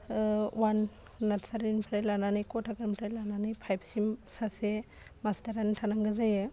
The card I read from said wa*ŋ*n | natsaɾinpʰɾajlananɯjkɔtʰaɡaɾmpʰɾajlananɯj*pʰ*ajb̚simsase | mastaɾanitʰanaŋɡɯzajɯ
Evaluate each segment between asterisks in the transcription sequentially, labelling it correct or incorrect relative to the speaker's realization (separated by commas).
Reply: incorrect, correct